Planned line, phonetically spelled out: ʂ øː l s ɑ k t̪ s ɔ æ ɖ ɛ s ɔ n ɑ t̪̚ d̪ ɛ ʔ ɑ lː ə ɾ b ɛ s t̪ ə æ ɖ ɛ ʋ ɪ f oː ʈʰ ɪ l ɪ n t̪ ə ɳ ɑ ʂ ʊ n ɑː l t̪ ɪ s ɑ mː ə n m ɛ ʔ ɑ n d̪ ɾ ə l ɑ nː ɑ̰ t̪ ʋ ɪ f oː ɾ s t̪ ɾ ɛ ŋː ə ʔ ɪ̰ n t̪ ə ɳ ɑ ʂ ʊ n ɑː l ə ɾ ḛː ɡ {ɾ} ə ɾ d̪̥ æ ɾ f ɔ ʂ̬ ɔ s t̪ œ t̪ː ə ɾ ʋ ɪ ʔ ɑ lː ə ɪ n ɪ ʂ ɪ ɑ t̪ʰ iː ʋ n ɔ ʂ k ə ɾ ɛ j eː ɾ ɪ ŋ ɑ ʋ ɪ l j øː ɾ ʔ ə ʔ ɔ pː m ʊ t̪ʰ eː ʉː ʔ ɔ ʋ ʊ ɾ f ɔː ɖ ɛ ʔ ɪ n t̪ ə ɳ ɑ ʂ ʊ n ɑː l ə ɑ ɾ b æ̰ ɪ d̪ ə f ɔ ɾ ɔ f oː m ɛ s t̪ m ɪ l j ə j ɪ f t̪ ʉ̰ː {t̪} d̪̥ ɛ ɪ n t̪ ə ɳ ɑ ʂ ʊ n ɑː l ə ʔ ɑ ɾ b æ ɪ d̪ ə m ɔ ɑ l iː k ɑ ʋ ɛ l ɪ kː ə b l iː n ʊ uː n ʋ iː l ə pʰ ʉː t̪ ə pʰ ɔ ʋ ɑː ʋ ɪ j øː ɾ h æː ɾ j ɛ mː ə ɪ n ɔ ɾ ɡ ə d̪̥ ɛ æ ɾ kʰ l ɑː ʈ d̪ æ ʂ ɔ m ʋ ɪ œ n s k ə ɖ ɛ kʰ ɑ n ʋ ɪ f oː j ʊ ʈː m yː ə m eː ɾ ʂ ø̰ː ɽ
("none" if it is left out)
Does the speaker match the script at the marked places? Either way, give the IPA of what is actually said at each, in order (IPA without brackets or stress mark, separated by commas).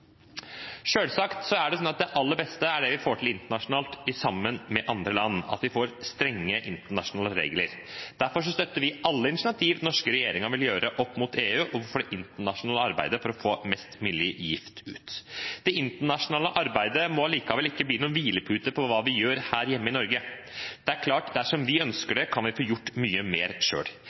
l, t̪